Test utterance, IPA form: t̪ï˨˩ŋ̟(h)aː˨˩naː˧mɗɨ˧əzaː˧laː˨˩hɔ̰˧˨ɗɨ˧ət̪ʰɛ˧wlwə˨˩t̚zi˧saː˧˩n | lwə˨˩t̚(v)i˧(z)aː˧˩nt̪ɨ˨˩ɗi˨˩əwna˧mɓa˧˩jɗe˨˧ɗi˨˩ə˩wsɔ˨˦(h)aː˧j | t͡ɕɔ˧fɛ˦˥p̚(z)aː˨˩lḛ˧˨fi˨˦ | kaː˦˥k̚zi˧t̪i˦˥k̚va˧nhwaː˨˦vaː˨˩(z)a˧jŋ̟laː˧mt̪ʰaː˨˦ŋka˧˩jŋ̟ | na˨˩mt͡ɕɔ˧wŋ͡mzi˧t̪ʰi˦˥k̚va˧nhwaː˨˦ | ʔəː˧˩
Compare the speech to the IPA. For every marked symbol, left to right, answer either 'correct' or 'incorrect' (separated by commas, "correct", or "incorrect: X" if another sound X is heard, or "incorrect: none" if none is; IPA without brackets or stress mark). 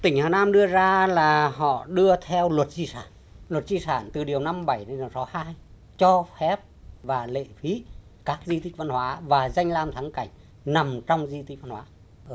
correct, incorrect: z, incorrect: s, correct, incorrect: v, correct